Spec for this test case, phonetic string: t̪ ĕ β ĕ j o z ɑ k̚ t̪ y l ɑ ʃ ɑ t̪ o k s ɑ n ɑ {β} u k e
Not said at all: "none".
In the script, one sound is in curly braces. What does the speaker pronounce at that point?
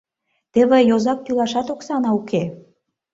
none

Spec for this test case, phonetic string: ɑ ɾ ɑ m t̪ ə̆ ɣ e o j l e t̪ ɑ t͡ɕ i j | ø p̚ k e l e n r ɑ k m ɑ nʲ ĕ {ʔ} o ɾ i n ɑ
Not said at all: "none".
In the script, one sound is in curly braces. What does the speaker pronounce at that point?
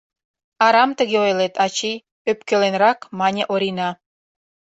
ʔ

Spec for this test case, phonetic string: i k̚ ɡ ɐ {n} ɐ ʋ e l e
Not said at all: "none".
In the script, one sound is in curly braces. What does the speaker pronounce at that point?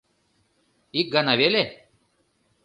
n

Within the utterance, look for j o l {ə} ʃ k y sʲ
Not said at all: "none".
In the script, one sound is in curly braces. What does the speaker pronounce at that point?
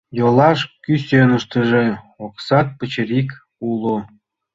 ɑ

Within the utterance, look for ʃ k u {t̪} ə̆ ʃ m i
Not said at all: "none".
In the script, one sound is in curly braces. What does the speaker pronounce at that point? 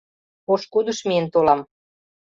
d̪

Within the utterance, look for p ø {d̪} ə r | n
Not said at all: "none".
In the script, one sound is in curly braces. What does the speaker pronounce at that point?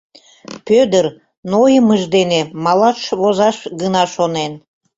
d̪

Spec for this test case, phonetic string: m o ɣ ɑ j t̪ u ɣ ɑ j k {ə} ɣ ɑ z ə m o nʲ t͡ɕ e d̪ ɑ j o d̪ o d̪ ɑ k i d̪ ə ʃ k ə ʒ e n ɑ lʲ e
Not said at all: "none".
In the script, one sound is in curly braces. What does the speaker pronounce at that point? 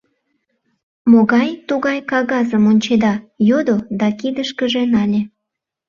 ɑ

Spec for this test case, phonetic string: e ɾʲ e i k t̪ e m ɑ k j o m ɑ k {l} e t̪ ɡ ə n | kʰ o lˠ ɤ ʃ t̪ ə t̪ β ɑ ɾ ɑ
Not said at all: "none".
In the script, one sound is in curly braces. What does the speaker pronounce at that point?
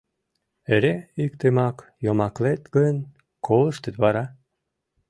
l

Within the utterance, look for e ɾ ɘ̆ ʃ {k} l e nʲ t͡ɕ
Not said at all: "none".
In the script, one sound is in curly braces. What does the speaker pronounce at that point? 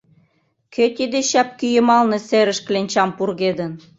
k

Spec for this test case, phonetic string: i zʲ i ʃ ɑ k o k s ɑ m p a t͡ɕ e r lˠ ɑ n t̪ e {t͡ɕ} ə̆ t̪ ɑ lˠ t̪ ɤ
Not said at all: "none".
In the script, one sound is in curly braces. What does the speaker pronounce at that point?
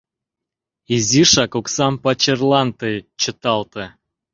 t͡ɕ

